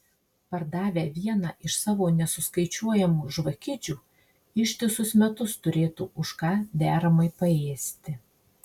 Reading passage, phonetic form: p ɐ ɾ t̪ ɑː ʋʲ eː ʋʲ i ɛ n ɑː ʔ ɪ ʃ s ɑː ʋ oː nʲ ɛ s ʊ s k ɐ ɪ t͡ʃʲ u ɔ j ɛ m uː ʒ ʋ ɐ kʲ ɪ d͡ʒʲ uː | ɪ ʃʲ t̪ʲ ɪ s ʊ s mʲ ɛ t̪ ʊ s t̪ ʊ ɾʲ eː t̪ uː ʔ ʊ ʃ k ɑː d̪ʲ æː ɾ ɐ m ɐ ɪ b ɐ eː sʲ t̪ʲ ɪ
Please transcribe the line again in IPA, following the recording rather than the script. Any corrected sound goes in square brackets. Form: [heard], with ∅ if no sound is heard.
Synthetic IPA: p ɐ ɾ [d̪] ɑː ʋʲ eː ʋʲ i ɛ n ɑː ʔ ɪ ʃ s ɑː ʋ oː nʲ ɛ s ʊ s k ɐ ɪ t͡ʃʲ u ɔ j ɛ m uː ʒ ʋ ɐ kʲ ɪ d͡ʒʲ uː | ɪ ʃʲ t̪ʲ ɪ s ʊ s mʲ ɛ t̪ ʊ s t̪ ʊ ɾʲ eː t̪ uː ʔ ʊ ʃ k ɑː d̪ʲ æː ɾ ɐ m ɐ ɪ [p] ɐ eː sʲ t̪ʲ ɪ